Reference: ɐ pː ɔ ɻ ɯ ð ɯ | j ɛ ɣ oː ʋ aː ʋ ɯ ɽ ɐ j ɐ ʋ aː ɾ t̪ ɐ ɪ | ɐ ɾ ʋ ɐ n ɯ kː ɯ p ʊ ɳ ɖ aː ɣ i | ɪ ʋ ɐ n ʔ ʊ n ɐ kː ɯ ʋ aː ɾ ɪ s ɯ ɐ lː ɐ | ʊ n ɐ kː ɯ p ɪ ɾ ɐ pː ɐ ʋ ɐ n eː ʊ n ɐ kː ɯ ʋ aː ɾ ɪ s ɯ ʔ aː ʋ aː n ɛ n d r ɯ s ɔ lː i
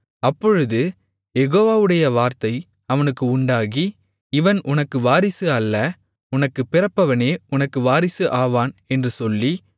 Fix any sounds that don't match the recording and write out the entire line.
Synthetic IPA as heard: ɐ pː ɔ ɻ ɯ ð ɯ | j ɛ ɣ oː ʋ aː ʋ ɯ ɽ ɐ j ɐ ʋ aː ɾ t̪ ɐ ɪ | ɐ ʋ ɐ n ɯ kː ɯ ʊ ɳ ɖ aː ɣ i | ɪ ʋ ɐ n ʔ ʊ n ɐ kː ɯ ʋ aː ɾ ɪ s ɯ ɐ lː ɐ | ʊ n ɐ kː ɯ p ɪ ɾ ɐ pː ɐ ʋ ɐ n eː ʊ n ɐ kː ɯ ʋ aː ɾ ɪ s ɯ ʔ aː ʋ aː n ɛ n d r ɯ s ɔ lː i

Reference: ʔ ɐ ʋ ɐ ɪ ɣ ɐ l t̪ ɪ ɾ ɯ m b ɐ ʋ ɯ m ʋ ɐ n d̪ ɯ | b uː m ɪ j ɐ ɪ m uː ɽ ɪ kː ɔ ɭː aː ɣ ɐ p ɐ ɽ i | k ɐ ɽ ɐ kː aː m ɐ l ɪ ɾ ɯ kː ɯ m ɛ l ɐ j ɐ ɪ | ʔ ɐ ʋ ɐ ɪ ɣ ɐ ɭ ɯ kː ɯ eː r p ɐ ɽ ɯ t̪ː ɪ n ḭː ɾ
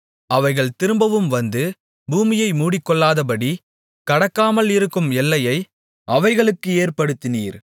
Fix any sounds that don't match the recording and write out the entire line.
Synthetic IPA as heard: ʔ ɐ ʋ ɐ ɪ ɣ ɐ ɭ t̪ ɪ ɾ ɯ m b ɐ ʋ ɯ m ʋ ɐ n d̪ ɯ | b uː m ɪ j ɐ ɪ m uː ɽ ɪ kː ɔ ɭː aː ð ɐ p ɐ ɽ i | k ɐ ɽ ɐ kː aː m ɐ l ɪ ɾ ɯ kː ɯ m ɛ lː ɐ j ɐ ɪ | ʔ ɐ ʋ ɐ ɪ ɣ ɐ ɭ ɯ kː ɯ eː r p ɐ ɽ ɯ t̪ː ɪ n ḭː ɾ

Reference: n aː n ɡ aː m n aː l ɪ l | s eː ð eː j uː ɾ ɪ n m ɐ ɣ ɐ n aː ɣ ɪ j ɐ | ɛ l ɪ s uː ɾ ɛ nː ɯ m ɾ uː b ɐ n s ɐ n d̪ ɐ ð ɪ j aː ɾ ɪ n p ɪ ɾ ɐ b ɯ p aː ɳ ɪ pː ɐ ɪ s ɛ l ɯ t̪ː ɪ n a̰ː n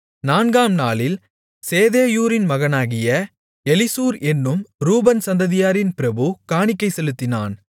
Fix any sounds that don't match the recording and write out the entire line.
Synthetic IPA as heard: n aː n ɡ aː m n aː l ɪ l | s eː ð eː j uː ɾ ɪ n m ɐ ɣ ɐ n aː ɣ ɪ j ɐ | ɛ l ɪ s uː ɾ ɛ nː ɯ m ɾ uː b ɐ n s ɐ n d̪ ɐ ð ɪ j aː ɾ ɪ n p ɪ ɾ ɐ b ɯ k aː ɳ ɪ kː ɐ ɪ s ɛ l ɯ t̪ː ɪ n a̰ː n

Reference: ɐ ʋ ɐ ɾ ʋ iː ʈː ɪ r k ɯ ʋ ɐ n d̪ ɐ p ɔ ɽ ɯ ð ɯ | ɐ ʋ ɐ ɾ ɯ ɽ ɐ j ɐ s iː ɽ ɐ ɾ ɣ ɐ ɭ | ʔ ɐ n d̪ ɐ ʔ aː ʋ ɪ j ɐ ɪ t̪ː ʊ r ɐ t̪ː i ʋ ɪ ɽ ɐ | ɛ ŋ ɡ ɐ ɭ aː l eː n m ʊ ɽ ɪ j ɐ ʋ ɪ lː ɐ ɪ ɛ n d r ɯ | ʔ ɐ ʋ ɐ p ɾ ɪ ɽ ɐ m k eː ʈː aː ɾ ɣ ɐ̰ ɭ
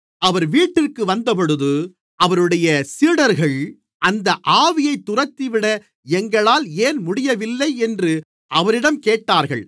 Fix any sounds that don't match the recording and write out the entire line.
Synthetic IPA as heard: ɐ ʋ ɐ ɾ ʋ iː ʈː ɪ r k ɯ ʋ ɐ n d̪ ɐ p ɔ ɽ ɯ ð ɯ | ɐ ʋ ɐ ɾ ɯ ɽ ɐ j ɐ s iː ɽ ɐ ɾ ɣ ɐ ɭ | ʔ ɐ n d̪ ɐ ʔ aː ʋ ɪ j ɐ ɪ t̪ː ʊ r ɐ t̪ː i ʋ ɪ ɽ ɐ | ɛ ŋ ɡ ɐ ɭ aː l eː n m ʊ ɽ ɪ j ɐ ʋ ɪ lː ɐ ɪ ɛ n d r ɯ | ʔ ɐ ʋ ɐ ɾ ɪ ɽ ɐ m k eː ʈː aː ɾ ɣ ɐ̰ ɭ

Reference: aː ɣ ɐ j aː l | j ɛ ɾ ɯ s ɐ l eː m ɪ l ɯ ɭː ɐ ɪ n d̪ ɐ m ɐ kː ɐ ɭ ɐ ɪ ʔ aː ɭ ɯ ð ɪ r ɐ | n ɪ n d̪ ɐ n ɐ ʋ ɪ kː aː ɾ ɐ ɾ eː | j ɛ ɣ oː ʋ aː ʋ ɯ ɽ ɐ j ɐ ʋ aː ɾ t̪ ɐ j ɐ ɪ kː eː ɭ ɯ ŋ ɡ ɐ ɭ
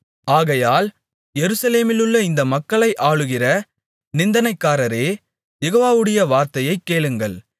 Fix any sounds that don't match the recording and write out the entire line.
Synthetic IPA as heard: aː ɣ ɐ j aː l | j ɛ ɾ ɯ s ɐ l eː m ɪ l ɯ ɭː ɐ ɪ n d̪ ɐ m ɐ kː ɐ ɭ ɐ ɪ ʔ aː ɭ ɯ ɣ ɪ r ɐ | n ɪ n d̪ ɐ n ɐ ɪ kː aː ɾ ɐ ɾ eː | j ɛ ɣ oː ʋ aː ʋ ɯ ɽ ɐ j ɐ ʋ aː ɾ t̪ ɐ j ɐ ɪ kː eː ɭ ɯ ŋ ɡ ɐ ɭ

